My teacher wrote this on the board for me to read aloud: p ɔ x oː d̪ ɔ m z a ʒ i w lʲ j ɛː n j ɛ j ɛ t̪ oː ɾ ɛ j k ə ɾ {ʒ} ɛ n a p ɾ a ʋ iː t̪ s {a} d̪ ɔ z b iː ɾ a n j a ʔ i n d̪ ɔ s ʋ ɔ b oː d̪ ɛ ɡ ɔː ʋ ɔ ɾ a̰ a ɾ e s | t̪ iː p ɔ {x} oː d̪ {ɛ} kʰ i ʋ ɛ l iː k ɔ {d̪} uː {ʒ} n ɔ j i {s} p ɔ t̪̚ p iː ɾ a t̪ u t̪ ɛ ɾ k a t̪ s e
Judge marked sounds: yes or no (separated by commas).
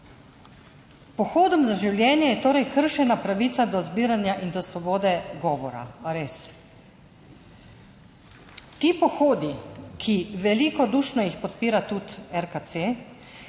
no, yes, yes, no, yes, no, no